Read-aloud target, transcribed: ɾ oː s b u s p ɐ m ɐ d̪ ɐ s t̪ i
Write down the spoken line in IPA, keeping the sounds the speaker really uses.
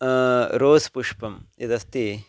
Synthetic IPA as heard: ɾ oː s p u ʂ p ɐ m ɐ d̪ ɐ s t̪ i